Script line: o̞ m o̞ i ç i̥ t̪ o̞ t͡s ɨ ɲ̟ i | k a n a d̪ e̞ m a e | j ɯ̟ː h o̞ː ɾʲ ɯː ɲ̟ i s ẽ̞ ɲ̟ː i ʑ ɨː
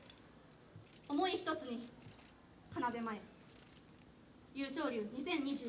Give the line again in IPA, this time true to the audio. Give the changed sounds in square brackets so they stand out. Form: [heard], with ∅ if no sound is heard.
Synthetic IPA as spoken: o̞ m o̞ i ç i̥ t̪ o̞ t͡s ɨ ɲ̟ i | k a n a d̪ e̞ m a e | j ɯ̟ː [ɕ] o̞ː ɾʲ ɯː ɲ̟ i s ẽ̞ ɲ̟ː i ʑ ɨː